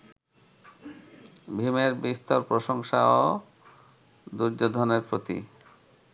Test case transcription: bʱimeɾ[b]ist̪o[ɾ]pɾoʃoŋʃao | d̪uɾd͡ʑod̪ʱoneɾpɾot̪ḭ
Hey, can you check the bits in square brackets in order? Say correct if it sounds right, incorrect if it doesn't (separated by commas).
correct, correct